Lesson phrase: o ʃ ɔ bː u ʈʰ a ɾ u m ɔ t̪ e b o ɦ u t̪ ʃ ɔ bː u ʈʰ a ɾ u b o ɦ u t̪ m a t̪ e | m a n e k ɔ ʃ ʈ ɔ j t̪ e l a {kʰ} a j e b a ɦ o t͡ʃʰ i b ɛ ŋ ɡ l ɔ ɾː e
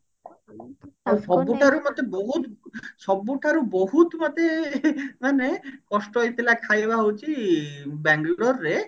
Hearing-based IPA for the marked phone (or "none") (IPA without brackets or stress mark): kʰ